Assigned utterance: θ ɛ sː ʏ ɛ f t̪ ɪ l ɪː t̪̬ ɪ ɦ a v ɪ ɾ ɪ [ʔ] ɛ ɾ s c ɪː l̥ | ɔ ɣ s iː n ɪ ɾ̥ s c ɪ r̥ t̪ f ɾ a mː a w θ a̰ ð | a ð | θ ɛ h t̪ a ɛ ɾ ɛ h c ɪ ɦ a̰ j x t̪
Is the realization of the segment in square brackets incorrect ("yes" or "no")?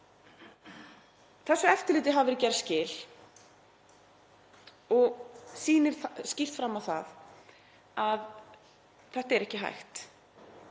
yes